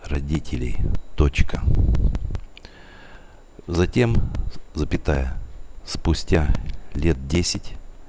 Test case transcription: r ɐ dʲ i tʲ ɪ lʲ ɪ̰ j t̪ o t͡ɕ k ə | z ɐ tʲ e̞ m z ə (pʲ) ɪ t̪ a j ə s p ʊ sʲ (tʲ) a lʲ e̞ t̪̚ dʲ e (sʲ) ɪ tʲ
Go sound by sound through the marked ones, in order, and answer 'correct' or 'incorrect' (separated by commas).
correct, correct, correct